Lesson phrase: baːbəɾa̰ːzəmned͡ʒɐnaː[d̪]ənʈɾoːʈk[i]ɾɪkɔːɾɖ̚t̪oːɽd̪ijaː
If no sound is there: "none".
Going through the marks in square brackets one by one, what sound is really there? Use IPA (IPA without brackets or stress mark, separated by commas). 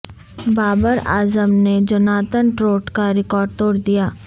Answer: t̪, a